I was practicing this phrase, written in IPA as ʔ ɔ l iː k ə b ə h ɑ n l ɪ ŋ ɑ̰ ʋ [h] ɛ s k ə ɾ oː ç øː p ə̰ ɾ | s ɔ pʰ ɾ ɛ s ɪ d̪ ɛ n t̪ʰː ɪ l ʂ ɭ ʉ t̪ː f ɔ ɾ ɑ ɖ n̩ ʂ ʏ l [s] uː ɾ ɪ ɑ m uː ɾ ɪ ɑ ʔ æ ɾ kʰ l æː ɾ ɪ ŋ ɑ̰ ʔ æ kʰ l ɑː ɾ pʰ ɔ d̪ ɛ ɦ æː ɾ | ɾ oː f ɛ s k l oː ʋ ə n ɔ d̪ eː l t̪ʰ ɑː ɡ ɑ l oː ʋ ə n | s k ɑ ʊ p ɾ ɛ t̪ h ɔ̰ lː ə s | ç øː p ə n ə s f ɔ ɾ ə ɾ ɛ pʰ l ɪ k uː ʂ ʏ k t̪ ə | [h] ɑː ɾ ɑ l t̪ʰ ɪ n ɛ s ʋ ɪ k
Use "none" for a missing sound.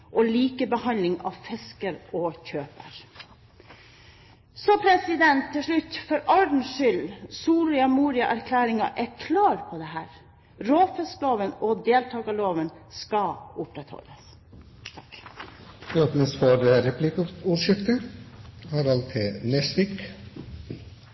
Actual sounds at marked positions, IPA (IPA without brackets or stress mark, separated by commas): f, s, h